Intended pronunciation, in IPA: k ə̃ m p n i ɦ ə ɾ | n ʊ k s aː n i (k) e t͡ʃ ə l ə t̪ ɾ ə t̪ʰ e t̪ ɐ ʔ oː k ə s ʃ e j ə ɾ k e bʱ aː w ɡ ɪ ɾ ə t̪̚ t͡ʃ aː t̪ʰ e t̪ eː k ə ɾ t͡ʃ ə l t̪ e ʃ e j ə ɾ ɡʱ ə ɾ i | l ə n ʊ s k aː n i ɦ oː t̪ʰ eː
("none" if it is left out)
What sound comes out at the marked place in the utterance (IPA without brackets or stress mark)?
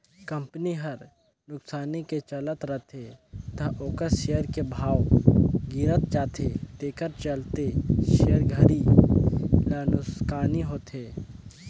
k